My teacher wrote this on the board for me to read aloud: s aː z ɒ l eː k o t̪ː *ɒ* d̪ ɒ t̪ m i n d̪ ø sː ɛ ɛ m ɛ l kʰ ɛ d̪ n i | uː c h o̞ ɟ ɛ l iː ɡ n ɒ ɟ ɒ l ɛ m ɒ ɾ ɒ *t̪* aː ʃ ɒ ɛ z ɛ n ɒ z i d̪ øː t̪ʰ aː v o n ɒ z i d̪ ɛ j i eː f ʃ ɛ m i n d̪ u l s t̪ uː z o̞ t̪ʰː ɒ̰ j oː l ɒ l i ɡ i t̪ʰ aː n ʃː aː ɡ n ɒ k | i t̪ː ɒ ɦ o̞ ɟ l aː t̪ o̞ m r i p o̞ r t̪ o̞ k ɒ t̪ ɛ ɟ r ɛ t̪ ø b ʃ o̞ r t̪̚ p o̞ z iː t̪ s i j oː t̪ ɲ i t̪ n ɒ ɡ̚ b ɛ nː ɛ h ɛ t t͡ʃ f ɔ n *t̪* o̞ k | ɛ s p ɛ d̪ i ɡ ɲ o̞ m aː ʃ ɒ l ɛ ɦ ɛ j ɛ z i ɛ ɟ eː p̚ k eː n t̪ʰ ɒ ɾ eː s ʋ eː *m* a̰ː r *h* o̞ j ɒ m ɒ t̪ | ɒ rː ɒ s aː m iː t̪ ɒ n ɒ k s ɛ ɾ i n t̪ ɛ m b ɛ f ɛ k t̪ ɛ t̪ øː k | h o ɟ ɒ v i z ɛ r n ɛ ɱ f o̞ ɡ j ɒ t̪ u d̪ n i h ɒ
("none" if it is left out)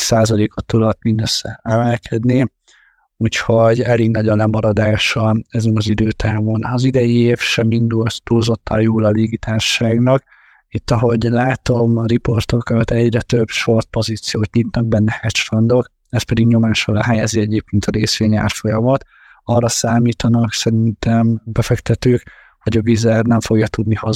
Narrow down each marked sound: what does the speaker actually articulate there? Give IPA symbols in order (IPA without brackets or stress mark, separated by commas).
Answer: u, d̪, d̪, ɲ, f